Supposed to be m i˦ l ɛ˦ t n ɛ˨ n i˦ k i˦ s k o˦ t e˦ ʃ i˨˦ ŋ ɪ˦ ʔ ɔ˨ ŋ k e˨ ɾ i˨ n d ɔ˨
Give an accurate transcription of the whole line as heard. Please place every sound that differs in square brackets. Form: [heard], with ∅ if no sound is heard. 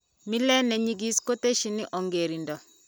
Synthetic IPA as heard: m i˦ l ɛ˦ [∅] n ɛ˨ [ɲ] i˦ [ɡ] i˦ s k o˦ t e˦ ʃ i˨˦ [n] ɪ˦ ʔ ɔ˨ ŋ [ɡ] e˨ ɾ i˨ n d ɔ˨